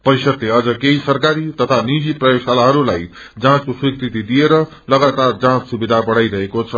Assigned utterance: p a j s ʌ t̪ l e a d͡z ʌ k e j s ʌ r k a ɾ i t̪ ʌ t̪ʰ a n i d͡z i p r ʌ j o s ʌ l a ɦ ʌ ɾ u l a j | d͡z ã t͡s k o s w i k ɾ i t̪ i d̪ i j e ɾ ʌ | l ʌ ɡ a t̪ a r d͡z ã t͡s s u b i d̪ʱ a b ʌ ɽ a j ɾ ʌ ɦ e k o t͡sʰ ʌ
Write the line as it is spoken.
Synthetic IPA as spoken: p ʌ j s ʌ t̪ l e ʌ d͡z ʌ k e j s ʌ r k a ɾ i t̪ ʌ t̪ʰ a n i d͡z i p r ʌ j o s a l a ɦ ʌ ɾ u l a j | d͡z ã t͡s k o s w i k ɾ i t̪ i d̪ i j e ɾ ʌ | l ʌ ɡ a t̪ a r d͡z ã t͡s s u b i d̪ʱ a b ʌ ɽ a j ɾ ʌ ɦ e k o t͡sʰ ʌ